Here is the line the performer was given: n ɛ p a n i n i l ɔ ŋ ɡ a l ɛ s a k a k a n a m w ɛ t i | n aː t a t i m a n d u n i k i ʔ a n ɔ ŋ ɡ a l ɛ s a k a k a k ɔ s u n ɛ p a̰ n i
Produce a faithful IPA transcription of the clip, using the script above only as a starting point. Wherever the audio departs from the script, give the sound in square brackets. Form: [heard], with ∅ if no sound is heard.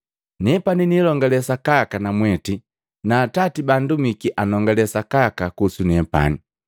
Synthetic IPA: n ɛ p a n i n i l ɔ ŋ ɡ a l ɛ s a k a k a n a m w ɛ t i | n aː t a t i [b] a n d u [m] i k i ʔ a n ɔ ŋ ɡ a l ɛ s a k a k a k [u] s u n ɛ p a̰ n i

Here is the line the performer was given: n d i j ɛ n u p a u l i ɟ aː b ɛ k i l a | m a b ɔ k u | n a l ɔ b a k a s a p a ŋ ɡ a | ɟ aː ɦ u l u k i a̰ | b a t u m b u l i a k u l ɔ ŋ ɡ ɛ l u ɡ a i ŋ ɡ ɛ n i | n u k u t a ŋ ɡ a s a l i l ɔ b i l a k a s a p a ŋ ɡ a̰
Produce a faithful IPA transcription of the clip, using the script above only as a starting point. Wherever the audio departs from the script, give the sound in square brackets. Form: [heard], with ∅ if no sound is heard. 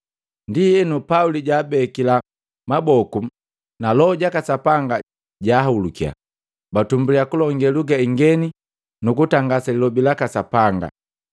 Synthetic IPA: n d i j ɛ n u p a u l i ɟ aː b ɛ k i l a | m a b ɔ k u | n a l ɔ [ɟ] a k a s a p a ŋ ɡ a | ɟ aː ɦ u l u k i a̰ | b a t u m b u l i a k u l ɔ ŋ ɡ ɛ l u ɡ a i ŋ ɡ ɛ n i | n u k u t a ŋ ɡ a s a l i l ɔ b i l a k a s a p a ŋ ɡ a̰

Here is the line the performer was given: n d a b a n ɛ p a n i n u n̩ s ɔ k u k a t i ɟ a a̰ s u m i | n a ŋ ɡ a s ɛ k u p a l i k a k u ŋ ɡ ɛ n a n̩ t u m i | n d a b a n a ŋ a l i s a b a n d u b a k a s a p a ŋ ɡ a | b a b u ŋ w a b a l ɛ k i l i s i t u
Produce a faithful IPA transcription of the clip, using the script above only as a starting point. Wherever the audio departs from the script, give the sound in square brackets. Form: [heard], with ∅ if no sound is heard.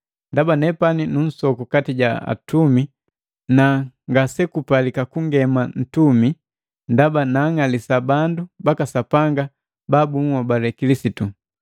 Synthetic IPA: n d a b a n ɛ p a n i n u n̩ s ɔ k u k a t i ɟ a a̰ [t] u m i | n a ŋ ɡ a s ɛ k u p a l i k a k u ŋ ɡ ɛ [m] a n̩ t u m i | n d a b a n a ŋ a l i s a b a n d u b a k a s a p a ŋ ɡ a | b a b u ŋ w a b a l ɛ k i l i s i t u

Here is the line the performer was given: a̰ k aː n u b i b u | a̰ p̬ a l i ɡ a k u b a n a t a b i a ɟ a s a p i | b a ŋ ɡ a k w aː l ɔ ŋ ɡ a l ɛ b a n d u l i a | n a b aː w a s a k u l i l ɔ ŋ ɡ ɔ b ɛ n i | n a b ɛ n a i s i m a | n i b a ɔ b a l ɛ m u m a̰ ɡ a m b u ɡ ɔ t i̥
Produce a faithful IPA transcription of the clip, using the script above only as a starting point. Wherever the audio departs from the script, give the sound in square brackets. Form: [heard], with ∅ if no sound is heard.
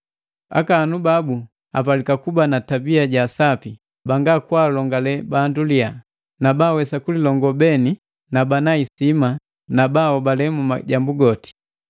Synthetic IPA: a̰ k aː n u b [a] b u | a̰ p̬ a l i [k] a k u b a n a t a b i a ɟ a s a p i | b a ŋ ɡ a k w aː l ɔ ŋ ɡ a l ɛ b a n d u l i a | n a b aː w [ɛ] s a k u l i l ɔ ŋ ɡ ɔ b ɛ n i | n a b [a] n a i s i m a | n [a] b a ɔ b a l ɛ m u m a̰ [ɟ] a m b u ɡ ɔ t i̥

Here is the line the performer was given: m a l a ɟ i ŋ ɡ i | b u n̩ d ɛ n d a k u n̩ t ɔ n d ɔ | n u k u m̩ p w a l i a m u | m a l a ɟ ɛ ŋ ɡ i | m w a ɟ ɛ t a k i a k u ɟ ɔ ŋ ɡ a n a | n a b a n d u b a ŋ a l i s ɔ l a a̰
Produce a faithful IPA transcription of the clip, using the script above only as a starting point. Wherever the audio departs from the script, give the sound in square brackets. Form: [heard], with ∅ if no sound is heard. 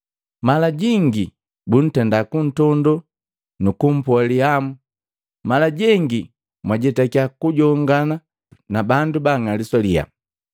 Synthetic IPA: m a l a ɟ i ŋ ɡ i | b u n̩ [t] ɛ n d a k u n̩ t ɔ n d ɔ | n u k u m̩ p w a l i a m u | m a l a ɟ ɛ ŋ ɡ i | m w a ɟ ɛ t a k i a k u ɟ ɔ ŋ ɡ a n a | n a b a n d u b a ŋ a l i s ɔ l [i] a̰

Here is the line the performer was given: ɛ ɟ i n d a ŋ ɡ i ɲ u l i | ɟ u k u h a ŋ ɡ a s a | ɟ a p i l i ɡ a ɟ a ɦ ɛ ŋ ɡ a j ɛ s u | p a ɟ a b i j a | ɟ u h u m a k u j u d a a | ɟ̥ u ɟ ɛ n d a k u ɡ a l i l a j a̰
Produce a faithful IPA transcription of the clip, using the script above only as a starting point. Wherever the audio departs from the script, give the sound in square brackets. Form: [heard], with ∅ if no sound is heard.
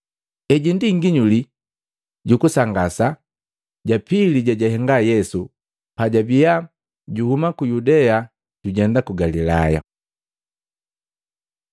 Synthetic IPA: ɛ ɟ i n d [i] ŋ ɡ i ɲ u l i | ɟ u k u [s] a ŋ ɡ a s a | ɟ a p i l i [ɟ] a ɟ a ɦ ɛ ŋ ɡ a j ɛ s u | p a ɟ a b i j a | ɟ u h u m a k u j u d [ɛ] a | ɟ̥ u ɟ ɛ n d a k u ɡ a l i l a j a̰

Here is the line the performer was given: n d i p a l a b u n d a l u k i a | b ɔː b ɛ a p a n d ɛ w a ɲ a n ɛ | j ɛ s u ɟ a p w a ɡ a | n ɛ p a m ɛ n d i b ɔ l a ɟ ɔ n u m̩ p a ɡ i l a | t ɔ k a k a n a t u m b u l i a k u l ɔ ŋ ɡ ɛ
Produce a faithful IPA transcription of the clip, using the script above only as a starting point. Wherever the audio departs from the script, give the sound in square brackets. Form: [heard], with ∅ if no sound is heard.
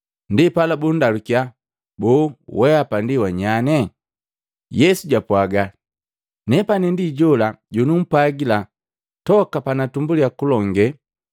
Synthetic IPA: n d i p a l a b u n d a l u k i a | b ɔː [w] ɛ a p a n d [i] w a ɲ a n ɛ | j ɛ s u ɟ a p w a ɡ a | n ɛ p a [n] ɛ n d i [ɟ] ɔ l a ɟ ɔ n u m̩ p a ɡ i l a | t ɔ k a [p] a n a t u m b u l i a k u l ɔ ŋ ɡ ɛ

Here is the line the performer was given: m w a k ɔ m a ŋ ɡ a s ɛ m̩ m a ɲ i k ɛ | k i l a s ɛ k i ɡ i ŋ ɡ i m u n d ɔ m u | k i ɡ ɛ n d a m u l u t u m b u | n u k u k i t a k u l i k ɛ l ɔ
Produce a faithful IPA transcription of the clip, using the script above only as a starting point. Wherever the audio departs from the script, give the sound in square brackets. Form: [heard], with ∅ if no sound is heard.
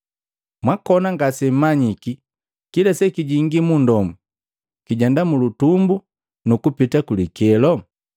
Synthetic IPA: m w a k ɔ [n] a ŋ ɡ a s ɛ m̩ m a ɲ i k [i] | k i l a s ɛ k i [ɟ] i ŋ ɡ i m u n d ɔ m u | k i [ɟ] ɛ n d a m u l u t u m b u | n u k u [p] i t a k u l i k ɛ l ɔ

